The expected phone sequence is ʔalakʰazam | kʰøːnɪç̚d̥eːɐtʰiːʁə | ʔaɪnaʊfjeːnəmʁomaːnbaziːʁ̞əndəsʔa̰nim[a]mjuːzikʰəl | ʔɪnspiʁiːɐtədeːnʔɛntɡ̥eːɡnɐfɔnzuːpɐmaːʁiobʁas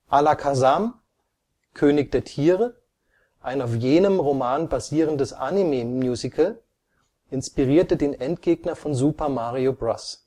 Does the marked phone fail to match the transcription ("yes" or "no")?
yes